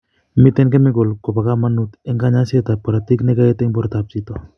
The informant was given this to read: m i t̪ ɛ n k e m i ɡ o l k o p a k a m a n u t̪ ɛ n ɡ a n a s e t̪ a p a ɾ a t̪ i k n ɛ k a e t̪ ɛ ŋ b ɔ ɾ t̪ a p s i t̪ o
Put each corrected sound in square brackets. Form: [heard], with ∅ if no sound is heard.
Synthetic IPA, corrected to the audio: m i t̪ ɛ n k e m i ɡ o l k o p a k a m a n u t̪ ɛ [ŋ] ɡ a [ɲ] a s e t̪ a p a ɾ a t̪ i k n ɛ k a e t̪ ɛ ŋ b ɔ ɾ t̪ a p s i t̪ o